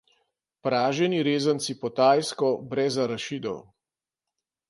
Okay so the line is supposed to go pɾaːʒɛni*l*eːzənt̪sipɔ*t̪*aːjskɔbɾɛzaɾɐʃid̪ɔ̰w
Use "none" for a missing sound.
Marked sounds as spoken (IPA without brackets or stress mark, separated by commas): ɾ, t̪